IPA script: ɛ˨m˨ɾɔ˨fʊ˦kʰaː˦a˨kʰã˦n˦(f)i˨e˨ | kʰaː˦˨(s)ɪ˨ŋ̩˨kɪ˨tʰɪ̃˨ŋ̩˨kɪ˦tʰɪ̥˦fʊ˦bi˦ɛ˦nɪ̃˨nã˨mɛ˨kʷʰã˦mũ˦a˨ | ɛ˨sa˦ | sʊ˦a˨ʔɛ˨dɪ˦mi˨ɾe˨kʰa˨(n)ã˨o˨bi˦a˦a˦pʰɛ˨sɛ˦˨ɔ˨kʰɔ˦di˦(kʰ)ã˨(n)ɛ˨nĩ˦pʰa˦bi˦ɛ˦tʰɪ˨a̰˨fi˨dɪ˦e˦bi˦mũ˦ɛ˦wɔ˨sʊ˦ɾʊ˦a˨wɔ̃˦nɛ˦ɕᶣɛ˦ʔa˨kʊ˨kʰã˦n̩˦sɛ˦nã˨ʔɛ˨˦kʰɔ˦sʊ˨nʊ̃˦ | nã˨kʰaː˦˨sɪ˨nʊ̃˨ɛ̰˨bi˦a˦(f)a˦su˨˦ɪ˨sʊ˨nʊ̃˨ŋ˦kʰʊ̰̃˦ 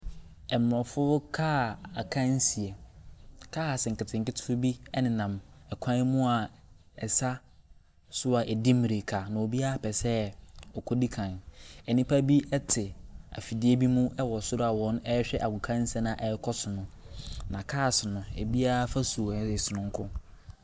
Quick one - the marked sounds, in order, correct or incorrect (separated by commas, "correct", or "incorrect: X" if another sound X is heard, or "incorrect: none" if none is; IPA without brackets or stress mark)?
incorrect: s, correct, correct, correct, correct, correct